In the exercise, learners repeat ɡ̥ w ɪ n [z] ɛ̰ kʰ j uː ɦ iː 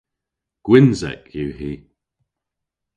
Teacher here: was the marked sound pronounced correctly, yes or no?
yes